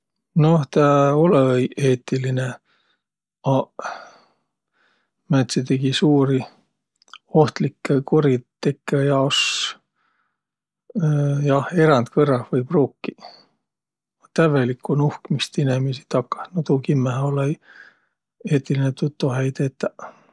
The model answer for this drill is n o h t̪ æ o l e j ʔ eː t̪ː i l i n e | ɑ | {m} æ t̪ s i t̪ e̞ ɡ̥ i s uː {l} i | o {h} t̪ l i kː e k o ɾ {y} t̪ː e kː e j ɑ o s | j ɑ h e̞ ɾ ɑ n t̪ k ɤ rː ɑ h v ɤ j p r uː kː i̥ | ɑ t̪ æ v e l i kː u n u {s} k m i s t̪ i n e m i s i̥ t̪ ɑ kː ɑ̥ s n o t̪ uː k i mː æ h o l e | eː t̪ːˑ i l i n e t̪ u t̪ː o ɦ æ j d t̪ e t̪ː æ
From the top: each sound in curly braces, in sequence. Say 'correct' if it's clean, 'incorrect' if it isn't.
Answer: correct, incorrect: ɾ, correct, incorrect: i, incorrect: h

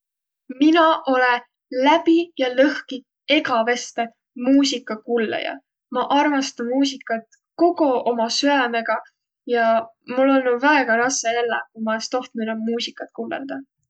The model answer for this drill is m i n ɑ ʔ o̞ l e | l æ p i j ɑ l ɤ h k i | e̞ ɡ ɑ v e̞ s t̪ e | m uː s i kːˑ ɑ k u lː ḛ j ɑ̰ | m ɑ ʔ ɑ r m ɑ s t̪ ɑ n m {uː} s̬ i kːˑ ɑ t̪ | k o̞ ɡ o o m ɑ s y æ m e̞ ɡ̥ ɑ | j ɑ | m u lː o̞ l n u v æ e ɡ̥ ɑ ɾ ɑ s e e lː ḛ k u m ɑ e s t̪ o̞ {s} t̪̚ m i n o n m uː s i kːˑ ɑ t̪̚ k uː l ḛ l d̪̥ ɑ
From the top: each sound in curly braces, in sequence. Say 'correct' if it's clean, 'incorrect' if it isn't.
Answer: correct, incorrect: h

